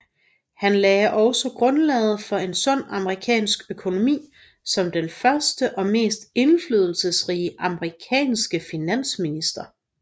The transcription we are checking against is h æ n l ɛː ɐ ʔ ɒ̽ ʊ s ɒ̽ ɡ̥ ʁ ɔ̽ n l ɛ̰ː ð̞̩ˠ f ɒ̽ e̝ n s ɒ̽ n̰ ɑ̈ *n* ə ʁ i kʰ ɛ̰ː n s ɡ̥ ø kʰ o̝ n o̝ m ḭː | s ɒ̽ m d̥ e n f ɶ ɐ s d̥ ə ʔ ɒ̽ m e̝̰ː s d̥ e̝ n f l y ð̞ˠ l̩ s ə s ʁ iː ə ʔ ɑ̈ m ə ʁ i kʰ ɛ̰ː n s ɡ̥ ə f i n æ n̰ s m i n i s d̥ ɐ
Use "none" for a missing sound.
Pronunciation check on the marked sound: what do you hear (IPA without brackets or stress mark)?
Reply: m